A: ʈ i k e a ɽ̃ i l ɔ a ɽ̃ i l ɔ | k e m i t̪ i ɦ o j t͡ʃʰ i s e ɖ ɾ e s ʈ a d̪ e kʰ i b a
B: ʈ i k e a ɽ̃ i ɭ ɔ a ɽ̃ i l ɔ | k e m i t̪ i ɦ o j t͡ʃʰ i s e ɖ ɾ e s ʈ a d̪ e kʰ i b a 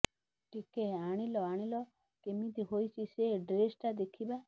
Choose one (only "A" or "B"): A